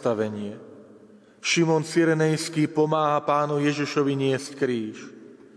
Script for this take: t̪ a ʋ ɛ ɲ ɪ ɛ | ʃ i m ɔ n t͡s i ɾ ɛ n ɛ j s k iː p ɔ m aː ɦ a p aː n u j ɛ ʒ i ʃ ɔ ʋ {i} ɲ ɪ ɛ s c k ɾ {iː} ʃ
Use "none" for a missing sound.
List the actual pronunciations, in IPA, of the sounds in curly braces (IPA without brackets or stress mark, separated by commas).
i, iː